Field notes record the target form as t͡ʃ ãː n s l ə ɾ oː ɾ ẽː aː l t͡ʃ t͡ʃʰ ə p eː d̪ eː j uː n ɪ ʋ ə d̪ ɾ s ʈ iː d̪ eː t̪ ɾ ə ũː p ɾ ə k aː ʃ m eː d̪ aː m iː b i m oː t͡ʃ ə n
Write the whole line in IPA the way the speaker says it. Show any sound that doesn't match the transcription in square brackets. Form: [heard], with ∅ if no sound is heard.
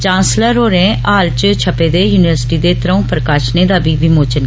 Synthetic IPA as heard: t͡ʃ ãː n s l ə ɾ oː ɾ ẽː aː l t͡ʃ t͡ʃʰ ə p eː d̪ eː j uː n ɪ ʋ ə [∅] ɾ s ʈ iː d̪ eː t̪ ɾ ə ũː p ɾ ə k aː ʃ [n] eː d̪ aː [b] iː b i m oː t͡ʃ ə n